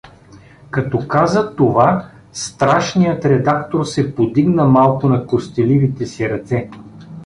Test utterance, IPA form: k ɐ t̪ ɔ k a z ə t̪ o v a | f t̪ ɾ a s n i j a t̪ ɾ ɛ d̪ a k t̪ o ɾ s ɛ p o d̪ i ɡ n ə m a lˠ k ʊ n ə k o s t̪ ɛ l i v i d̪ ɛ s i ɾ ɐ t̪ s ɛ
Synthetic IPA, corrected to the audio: k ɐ t̪ ɔ k a z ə t̪ o v a | s t̪ ɾ a ʃ n i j ə t̪ ɾ ɛ d̪ a k t̪ o ɾ s ɛ p o d̪ i ɡ n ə m a lˠ k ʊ n ɐ k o s t̪ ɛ l i v i t̪ ɛ s i ɾ ɐ t̪ s ɛ